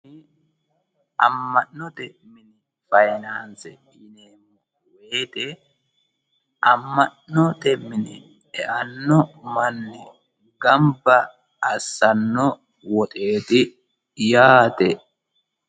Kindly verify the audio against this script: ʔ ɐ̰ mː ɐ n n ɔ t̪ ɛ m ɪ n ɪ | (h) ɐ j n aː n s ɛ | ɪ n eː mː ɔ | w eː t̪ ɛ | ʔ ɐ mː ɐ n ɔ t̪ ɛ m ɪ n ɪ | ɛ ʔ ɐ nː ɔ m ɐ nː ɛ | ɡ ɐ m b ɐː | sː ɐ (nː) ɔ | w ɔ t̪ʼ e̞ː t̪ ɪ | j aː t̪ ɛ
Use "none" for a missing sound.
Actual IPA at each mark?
f, nː

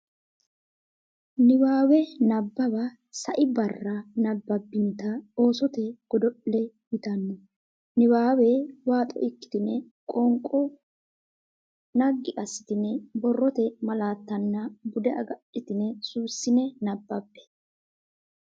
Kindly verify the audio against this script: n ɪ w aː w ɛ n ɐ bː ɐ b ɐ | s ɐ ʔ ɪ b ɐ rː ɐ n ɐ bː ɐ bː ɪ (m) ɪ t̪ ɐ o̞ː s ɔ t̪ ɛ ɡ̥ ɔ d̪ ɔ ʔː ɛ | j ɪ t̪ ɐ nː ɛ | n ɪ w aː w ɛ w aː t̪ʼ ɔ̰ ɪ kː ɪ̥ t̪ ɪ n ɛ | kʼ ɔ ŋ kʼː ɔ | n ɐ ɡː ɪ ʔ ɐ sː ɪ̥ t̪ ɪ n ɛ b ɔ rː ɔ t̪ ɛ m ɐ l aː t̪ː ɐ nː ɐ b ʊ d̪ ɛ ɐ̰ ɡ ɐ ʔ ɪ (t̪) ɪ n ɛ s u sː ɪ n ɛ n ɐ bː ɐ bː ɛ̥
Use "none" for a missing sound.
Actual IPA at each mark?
n, t̪

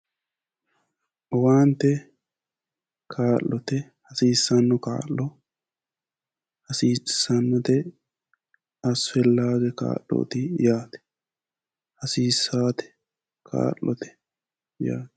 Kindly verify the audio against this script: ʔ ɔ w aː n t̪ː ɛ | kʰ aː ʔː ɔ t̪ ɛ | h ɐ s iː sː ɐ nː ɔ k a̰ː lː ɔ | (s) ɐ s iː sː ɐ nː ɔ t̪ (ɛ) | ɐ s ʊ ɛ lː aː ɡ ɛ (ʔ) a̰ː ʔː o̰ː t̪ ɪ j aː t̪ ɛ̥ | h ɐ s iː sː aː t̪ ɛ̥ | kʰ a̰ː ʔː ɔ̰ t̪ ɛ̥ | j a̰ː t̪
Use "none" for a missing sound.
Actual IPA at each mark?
h, ɛ, k

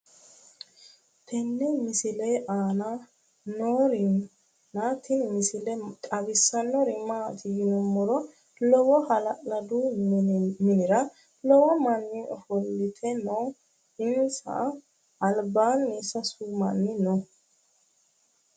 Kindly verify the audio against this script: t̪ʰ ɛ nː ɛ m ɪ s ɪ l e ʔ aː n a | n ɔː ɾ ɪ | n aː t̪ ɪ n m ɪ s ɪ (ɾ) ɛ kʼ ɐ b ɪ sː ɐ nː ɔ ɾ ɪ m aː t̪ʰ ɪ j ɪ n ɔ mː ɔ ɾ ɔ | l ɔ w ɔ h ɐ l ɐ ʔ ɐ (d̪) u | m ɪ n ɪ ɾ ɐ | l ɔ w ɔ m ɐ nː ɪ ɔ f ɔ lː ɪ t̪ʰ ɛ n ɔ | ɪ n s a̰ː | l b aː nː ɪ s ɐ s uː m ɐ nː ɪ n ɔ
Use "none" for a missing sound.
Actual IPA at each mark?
l, d̪

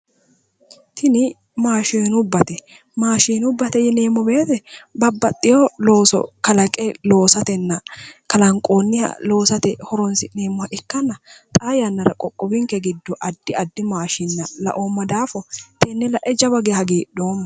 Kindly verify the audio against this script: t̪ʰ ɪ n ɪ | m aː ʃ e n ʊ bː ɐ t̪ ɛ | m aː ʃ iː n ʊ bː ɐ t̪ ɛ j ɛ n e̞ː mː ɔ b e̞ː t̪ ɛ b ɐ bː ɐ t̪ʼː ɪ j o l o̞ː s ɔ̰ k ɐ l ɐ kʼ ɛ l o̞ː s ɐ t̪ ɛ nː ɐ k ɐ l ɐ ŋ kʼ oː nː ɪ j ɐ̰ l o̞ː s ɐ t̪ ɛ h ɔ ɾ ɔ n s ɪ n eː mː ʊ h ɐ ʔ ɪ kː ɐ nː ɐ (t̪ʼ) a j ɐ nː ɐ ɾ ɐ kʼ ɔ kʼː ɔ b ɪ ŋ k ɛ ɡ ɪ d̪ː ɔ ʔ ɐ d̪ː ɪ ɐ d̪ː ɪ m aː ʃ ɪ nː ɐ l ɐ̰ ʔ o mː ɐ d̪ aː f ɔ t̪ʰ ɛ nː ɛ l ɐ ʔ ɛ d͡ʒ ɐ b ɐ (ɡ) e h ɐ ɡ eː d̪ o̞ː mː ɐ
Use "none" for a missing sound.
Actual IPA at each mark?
t̪ʼ, ɡ

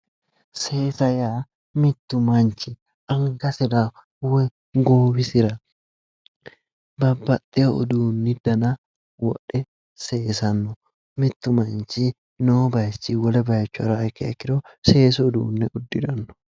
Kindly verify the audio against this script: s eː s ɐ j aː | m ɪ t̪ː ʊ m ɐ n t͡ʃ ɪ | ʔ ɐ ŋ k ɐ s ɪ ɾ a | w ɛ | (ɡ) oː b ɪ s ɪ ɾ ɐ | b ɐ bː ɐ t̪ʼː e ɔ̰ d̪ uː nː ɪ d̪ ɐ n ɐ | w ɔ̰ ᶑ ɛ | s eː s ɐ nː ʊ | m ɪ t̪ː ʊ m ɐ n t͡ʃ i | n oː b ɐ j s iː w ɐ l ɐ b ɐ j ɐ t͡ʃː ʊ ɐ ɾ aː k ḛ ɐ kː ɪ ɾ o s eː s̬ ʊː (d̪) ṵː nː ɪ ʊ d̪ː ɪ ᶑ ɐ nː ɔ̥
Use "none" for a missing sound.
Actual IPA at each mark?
ɡ, d̪

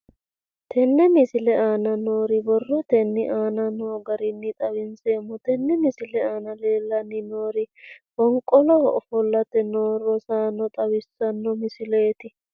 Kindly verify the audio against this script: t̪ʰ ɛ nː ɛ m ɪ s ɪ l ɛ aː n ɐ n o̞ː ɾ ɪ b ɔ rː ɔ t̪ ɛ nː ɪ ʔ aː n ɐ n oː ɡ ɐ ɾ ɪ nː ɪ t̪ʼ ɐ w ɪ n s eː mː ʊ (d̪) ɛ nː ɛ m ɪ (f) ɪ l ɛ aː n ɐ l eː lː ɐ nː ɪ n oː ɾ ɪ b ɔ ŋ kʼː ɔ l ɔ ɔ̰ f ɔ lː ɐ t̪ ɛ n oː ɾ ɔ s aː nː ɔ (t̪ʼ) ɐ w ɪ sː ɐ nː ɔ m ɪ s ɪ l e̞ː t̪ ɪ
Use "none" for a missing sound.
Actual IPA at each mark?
t̪, s, t̪ʼ

